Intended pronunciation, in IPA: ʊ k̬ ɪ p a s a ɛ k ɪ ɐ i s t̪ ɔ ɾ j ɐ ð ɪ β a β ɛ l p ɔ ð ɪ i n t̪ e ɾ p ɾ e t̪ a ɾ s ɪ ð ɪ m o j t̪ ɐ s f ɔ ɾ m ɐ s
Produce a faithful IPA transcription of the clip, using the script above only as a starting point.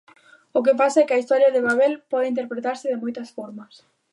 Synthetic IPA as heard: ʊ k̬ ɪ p a s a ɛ k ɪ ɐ i s t̪ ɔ ɾ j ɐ ð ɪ β a β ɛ l p ɔ ð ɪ i n t̪ e ɾ p ɾ e t̪ a ɾ s ɪ ð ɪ m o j t̪ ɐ s f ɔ ɾ m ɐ s